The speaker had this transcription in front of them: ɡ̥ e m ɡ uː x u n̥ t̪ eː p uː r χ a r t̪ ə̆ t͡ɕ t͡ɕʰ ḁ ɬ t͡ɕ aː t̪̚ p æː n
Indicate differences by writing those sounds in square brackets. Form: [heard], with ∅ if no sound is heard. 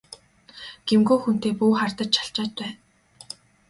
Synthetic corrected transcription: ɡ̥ e m ɡ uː x u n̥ t̪ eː p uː [∅] χ a r t̪ ə̆ t͡ɕ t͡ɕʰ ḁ ɬ t͡ɕ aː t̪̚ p æː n